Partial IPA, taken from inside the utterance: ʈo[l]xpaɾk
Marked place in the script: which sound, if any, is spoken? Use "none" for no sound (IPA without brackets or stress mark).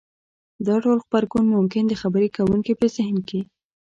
l